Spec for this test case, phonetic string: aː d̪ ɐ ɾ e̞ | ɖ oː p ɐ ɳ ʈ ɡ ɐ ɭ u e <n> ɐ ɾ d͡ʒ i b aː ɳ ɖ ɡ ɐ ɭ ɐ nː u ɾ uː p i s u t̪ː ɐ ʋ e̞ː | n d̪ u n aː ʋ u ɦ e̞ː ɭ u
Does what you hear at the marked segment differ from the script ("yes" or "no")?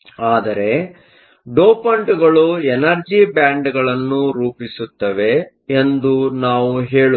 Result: no